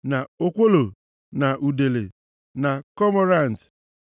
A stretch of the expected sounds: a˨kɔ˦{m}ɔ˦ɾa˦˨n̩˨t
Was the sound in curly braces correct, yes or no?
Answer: yes